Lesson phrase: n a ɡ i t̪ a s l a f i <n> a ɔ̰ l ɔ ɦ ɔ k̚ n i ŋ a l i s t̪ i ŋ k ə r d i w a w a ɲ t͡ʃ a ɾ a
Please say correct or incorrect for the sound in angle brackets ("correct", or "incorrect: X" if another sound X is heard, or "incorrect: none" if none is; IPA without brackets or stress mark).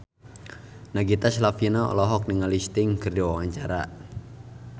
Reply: correct